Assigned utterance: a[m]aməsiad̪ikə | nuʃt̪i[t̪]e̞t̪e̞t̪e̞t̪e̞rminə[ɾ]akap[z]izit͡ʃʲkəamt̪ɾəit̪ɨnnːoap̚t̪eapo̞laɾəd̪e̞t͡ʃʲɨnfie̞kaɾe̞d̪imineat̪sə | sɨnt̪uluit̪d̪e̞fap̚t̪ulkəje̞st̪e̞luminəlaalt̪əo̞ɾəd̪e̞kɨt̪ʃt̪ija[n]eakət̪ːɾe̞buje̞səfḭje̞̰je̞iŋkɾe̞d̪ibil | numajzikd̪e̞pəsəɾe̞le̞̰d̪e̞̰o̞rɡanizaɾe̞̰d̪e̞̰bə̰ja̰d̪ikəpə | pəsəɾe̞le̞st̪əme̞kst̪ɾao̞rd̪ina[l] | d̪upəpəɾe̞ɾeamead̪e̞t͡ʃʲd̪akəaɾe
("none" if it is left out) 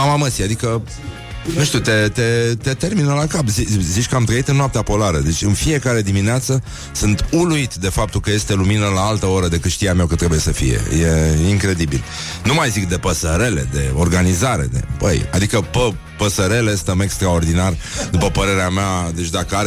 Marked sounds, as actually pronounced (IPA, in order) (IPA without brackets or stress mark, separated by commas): m, t̪, l, z, m, r